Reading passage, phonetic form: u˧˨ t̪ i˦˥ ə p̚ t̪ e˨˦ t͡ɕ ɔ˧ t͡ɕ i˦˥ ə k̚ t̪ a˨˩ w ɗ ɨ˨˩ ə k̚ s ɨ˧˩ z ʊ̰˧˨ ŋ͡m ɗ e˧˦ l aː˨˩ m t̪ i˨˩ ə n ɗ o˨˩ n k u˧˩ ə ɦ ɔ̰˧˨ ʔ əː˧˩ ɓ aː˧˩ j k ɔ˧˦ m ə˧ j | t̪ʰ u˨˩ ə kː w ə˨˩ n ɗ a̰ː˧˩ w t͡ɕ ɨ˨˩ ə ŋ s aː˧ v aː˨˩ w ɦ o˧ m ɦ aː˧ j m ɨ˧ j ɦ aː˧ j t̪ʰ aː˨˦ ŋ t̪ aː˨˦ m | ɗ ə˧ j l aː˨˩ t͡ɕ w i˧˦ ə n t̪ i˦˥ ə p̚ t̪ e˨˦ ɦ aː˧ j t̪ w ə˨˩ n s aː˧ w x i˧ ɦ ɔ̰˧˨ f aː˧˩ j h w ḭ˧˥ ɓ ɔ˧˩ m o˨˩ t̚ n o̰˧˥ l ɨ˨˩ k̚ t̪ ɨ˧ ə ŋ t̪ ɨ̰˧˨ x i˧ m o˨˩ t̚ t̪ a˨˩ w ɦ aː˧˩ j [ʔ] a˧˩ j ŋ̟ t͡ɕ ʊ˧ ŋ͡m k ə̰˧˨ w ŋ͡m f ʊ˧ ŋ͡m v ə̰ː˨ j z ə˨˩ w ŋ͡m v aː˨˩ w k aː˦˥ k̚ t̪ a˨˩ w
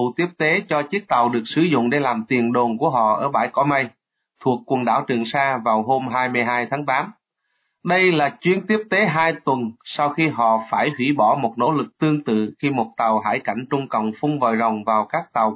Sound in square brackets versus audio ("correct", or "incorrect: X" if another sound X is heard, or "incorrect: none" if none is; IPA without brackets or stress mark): incorrect: k